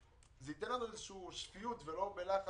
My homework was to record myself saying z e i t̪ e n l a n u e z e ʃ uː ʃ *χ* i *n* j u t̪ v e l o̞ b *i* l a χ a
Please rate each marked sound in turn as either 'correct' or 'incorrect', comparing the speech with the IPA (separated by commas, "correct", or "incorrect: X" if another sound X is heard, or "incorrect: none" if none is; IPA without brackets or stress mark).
incorrect: f, incorrect: none, incorrect: e